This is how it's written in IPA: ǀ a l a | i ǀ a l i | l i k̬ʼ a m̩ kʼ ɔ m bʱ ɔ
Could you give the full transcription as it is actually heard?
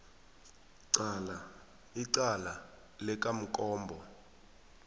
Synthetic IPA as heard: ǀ a l a | i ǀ a l a | l ɛ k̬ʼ a m̩ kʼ ɔː m bʱ ɔ